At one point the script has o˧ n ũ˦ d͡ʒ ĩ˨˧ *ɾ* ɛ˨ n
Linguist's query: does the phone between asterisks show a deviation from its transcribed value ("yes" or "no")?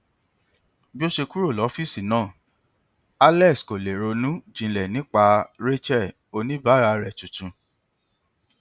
yes